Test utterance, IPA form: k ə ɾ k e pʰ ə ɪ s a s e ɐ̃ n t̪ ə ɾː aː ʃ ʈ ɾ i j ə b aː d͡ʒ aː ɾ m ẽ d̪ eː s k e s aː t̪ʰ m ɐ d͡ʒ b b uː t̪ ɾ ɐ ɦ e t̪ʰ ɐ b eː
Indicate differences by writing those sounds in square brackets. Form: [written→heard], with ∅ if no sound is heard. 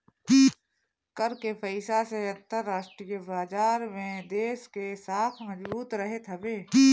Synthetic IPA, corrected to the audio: k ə ɾ k e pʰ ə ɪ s a s e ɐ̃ n t̪ ə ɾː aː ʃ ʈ ɾ i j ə b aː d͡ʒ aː ɾ m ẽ d̪ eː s k e s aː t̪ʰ m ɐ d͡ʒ b b uː t̪ ɾ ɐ ɦ e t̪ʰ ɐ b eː